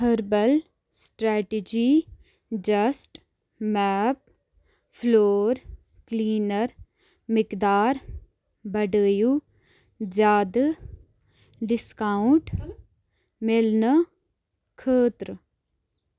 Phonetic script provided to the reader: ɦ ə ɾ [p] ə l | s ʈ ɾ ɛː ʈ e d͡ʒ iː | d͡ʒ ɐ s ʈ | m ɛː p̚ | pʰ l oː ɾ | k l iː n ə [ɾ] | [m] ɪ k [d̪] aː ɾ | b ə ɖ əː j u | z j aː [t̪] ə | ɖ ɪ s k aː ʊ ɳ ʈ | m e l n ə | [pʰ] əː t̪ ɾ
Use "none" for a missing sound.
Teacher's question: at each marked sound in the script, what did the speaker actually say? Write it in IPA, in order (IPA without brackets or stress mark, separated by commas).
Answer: b, ɾ, m, d̪, d̪, kʰ